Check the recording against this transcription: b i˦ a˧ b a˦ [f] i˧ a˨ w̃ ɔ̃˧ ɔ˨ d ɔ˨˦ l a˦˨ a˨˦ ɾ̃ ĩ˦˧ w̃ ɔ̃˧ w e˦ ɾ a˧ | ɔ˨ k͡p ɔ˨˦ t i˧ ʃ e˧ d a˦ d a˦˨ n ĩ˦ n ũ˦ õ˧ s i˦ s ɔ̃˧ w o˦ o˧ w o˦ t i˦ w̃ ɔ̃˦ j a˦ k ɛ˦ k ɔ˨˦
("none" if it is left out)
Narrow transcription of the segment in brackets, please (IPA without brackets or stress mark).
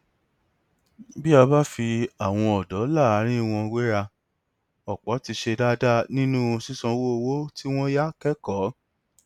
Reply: f